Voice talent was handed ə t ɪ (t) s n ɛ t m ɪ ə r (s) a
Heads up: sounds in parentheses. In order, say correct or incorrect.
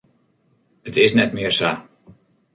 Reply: incorrect, correct

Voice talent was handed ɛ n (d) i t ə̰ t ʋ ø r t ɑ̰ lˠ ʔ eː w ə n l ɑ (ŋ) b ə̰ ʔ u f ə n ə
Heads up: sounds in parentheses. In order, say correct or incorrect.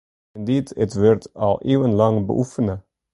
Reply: correct, correct

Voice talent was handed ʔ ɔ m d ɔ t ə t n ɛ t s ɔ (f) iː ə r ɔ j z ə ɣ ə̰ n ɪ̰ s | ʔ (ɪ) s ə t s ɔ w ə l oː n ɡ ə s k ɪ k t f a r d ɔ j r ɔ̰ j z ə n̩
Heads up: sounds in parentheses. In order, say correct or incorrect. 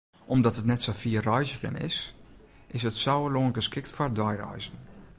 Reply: correct, correct

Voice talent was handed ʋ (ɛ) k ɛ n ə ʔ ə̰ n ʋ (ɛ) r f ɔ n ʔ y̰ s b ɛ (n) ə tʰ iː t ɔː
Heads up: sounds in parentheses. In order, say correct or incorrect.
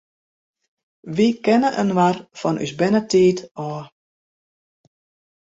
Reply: incorrect, incorrect, correct

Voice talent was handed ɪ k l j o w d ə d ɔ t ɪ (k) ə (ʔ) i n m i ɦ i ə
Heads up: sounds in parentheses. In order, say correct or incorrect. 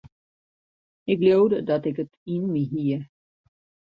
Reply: correct, incorrect

